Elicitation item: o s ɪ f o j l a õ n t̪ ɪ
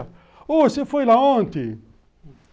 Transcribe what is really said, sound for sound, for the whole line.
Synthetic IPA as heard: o s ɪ f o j l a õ n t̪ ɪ